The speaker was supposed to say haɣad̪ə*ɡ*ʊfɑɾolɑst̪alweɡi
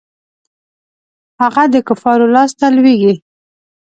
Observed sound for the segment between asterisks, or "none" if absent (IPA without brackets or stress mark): k